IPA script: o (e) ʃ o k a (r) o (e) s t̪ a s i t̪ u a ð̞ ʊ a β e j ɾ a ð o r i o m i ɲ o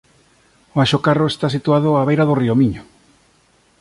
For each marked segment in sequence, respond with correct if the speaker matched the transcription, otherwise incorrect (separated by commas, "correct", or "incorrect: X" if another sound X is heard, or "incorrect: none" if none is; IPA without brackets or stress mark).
incorrect: a, correct, correct